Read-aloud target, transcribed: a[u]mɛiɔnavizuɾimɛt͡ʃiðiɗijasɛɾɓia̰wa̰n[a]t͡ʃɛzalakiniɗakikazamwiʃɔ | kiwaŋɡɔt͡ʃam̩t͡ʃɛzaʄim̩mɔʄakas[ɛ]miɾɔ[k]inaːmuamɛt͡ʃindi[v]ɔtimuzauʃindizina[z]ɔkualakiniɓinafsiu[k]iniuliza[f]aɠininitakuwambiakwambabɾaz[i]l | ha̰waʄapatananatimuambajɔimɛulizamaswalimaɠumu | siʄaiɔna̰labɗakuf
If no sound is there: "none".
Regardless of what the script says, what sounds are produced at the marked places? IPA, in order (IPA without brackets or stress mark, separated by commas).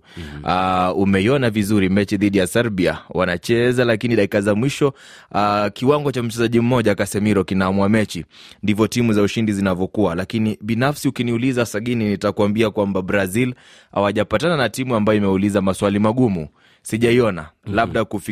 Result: u, a, ɛ, k, v, v, k, s, i